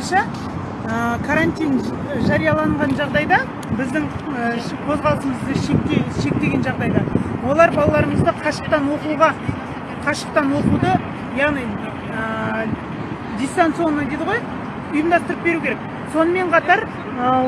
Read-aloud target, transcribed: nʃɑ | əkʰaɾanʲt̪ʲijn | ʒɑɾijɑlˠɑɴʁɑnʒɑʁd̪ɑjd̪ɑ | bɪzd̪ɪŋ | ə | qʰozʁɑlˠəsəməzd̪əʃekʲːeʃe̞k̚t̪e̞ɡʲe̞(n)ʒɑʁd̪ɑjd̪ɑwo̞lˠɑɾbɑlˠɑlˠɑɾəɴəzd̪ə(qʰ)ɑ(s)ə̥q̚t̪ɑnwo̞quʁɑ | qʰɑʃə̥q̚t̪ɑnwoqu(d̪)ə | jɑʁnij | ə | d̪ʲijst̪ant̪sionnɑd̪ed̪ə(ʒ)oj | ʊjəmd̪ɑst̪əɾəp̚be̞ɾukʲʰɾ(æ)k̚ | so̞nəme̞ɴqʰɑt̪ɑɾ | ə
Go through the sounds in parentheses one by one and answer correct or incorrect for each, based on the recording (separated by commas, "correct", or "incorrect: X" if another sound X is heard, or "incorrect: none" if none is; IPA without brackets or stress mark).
correct, correct, incorrect: ʃ, correct, incorrect: ʁ, incorrect: e